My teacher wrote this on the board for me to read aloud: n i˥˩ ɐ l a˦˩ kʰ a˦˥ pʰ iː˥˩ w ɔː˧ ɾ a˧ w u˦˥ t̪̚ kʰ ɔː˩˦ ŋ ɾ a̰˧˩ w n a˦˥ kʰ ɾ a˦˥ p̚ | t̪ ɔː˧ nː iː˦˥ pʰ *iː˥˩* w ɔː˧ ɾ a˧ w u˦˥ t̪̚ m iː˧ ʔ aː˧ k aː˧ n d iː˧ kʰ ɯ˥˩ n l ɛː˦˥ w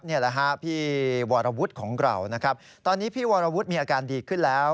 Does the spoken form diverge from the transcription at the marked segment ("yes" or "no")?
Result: no